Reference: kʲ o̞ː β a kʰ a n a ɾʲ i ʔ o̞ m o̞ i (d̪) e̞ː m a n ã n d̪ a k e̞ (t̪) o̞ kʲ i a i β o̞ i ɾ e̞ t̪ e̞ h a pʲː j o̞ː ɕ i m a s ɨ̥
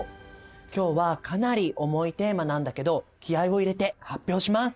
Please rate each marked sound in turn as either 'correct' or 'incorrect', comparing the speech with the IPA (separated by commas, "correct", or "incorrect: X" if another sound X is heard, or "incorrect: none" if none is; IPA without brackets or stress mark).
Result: incorrect: t̪, incorrect: d̪